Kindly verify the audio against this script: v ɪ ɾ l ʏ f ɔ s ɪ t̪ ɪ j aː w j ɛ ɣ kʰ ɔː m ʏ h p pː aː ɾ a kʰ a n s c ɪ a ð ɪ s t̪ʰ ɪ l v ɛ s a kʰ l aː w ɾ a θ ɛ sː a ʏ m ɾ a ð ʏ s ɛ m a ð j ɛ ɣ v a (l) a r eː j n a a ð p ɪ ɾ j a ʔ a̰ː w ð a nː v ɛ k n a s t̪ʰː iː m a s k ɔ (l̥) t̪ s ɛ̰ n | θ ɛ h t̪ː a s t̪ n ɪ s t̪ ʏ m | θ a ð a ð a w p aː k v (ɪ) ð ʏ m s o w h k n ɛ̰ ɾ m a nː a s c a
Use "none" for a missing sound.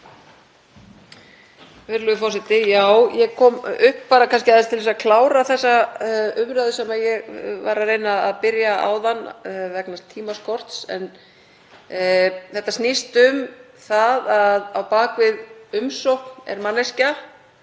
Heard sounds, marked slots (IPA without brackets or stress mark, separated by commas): ɾ, r̥, ɪ